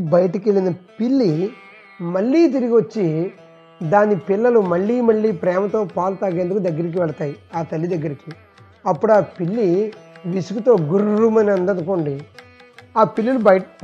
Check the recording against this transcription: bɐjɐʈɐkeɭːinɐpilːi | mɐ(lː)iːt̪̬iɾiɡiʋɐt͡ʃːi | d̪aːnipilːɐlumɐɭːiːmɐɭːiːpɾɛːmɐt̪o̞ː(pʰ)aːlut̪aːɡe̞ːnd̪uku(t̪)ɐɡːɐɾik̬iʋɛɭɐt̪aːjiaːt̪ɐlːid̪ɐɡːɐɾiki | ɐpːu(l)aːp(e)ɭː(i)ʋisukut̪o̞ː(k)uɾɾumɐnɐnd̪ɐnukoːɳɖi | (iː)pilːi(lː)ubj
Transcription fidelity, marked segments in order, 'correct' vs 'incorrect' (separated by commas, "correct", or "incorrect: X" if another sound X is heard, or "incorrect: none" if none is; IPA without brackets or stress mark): incorrect: ɭː, incorrect: p, incorrect: d̪, incorrect: ɽ, incorrect: i, correct, incorrect: ɡ, incorrect: aː, incorrect: l